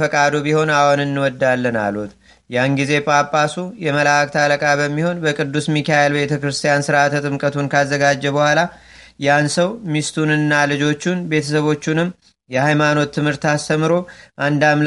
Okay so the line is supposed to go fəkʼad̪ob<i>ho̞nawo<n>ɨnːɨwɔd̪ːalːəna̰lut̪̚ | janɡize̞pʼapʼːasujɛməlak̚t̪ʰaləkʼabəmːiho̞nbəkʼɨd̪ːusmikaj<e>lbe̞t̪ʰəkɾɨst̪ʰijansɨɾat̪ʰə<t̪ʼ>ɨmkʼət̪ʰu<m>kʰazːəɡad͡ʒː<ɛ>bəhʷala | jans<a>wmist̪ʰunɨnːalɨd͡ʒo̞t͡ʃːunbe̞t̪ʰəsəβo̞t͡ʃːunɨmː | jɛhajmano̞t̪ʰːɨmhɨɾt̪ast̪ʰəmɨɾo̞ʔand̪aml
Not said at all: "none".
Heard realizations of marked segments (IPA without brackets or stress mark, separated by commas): i, n, e, t̪ʼ, n, ɛ, ə